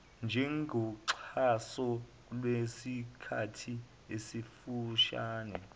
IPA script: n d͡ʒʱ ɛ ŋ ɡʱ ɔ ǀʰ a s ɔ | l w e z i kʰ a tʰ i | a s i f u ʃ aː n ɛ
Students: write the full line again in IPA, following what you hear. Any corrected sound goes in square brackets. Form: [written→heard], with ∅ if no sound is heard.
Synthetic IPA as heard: n d͡ʒʱ ɛ ŋ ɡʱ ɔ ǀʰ a s ɔ | l w e [z→s] i kʰ a tʰ i | [a→e] s i f u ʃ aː n ɛ